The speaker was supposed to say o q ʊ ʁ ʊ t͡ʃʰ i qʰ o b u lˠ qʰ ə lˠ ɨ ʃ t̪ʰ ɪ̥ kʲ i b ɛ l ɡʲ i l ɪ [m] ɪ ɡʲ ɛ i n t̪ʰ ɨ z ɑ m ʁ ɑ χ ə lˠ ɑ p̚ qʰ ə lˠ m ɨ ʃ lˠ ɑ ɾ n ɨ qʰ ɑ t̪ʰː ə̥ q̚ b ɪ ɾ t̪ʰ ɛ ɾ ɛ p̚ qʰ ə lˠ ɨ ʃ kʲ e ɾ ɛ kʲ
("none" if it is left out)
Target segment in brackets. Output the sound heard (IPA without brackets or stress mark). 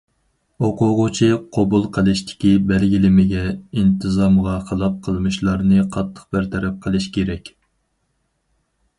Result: m